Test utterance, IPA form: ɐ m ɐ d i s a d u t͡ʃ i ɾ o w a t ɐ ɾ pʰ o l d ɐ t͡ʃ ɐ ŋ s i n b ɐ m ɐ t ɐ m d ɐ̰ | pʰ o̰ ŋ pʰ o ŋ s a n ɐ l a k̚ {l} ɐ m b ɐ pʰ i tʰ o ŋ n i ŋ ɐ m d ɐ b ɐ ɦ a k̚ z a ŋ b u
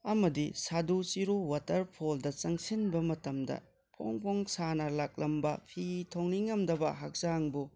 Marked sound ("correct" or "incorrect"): correct